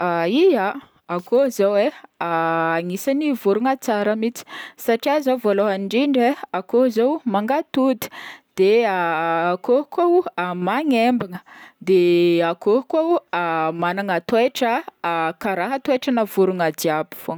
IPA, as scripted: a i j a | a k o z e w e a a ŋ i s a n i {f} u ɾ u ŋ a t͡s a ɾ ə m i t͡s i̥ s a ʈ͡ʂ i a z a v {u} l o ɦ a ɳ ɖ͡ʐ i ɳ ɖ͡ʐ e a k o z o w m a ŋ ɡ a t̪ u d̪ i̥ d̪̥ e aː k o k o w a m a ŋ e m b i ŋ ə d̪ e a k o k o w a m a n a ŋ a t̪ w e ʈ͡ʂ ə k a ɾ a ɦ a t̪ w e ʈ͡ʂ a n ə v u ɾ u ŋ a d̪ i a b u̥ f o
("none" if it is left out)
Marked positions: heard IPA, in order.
v, o

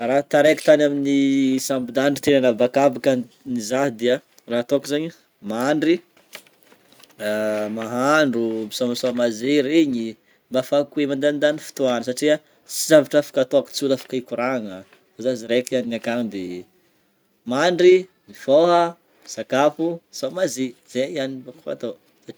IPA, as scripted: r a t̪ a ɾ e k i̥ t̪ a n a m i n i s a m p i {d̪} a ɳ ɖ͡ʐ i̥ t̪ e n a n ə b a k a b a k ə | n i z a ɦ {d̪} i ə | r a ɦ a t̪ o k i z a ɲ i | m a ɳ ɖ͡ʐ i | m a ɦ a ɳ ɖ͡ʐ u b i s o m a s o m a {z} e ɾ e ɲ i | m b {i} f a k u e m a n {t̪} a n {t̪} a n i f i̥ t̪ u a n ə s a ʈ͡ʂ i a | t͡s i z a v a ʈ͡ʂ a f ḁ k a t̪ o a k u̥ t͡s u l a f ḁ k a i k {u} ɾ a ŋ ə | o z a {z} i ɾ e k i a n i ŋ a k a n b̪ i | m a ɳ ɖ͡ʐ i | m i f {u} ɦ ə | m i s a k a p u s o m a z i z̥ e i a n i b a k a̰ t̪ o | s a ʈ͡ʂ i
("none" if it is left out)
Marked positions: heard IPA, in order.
d̪, d̪, z, a, d̪, d̪, u, z, o

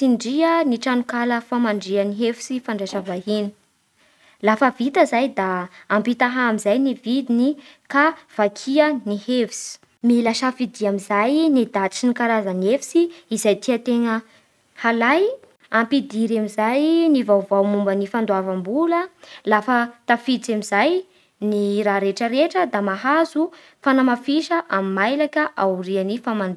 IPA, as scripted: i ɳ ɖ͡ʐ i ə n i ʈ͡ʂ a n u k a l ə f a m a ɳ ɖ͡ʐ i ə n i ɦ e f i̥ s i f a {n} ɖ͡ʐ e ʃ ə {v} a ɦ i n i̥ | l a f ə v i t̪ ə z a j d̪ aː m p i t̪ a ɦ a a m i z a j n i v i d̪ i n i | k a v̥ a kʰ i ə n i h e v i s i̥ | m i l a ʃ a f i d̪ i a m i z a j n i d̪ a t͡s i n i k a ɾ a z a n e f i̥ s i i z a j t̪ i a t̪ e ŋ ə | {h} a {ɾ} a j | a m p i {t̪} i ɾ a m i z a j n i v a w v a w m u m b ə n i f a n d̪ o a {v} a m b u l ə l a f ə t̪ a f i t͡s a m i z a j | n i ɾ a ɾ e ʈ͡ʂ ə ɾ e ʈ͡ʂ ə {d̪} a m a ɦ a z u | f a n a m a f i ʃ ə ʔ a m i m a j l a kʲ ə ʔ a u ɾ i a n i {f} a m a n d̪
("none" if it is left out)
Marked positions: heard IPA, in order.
ɳ, v, h, l, d̪, v, d̪, f

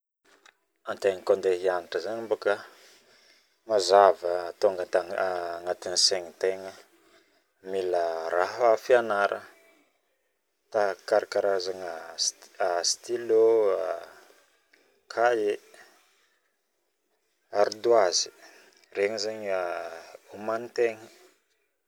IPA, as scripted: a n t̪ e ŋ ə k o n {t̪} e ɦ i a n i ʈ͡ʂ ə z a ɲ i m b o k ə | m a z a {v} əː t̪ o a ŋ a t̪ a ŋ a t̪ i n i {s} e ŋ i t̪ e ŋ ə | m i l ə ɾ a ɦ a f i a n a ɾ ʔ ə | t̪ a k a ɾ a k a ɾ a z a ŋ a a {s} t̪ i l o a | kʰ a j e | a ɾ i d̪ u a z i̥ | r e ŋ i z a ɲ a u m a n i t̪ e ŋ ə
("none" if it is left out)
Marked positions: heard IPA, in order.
d̪, v, s, s

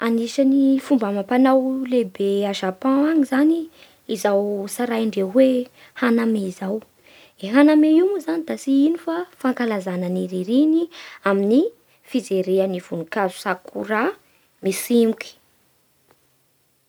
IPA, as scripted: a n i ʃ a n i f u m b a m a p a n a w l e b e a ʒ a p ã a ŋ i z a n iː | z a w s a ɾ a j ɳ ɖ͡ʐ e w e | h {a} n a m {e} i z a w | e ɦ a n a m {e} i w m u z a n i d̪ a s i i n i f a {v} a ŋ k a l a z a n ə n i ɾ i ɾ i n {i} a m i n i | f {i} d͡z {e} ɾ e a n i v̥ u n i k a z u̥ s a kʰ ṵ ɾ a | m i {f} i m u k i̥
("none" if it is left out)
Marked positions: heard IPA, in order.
a, e, e, f, i, i, e, s

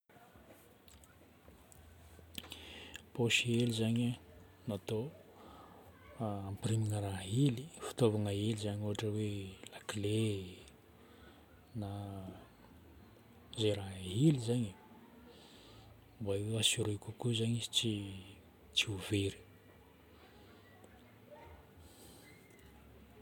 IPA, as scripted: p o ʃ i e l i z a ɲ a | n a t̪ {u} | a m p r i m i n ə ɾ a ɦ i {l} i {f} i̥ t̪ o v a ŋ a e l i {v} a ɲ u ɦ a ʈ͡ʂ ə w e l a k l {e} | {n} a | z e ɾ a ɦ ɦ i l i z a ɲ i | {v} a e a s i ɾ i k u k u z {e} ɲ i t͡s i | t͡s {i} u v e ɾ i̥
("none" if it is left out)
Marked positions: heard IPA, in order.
o, l, f, z, e, n, b, a, i

